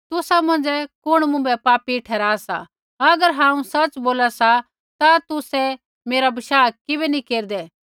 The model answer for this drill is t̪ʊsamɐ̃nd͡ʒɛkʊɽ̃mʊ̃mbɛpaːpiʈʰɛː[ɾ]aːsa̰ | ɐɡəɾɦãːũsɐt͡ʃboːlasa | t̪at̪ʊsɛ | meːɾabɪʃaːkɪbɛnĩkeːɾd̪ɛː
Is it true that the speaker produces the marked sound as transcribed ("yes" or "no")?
yes